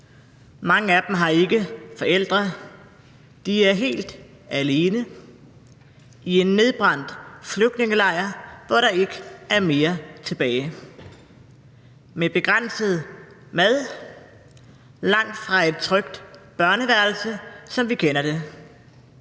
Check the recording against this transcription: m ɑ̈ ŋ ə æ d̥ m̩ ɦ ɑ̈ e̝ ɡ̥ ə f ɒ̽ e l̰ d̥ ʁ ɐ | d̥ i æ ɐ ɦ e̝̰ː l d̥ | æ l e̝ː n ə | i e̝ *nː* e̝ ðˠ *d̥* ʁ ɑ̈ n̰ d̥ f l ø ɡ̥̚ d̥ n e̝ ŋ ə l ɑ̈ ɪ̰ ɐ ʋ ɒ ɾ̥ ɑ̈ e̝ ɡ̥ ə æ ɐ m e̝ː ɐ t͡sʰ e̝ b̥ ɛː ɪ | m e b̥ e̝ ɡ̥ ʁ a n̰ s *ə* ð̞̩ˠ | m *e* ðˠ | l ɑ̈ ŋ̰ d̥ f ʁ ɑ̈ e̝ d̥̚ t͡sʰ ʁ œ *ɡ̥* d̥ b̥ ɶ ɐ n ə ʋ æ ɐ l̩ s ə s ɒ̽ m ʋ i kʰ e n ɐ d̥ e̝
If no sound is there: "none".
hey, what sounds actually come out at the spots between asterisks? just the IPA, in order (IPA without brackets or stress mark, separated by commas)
nː, b̥, ə, æ, ɡ̥